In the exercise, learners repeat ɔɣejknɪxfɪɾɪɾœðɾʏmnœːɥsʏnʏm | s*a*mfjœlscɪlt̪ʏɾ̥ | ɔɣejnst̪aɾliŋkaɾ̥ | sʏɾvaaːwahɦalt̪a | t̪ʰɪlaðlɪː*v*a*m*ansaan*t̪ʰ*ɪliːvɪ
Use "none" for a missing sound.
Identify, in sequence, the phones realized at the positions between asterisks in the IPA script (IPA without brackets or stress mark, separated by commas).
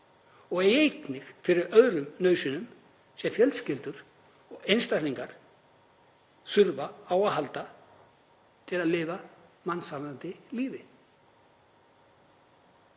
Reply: ɛ, v, m, t̪